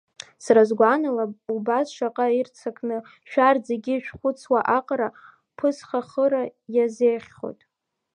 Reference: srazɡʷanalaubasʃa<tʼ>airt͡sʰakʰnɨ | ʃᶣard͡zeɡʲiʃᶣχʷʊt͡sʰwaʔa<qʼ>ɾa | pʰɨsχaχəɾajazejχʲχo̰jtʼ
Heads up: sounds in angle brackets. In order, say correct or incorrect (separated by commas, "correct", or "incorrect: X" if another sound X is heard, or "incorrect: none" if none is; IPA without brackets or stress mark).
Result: incorrect: qʼ, correct